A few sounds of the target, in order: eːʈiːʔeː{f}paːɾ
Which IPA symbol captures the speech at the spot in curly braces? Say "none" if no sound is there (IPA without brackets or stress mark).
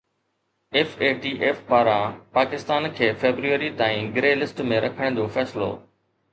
f